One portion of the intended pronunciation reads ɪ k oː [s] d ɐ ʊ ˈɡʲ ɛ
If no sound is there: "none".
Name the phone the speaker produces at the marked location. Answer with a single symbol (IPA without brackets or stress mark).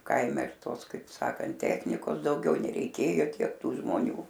s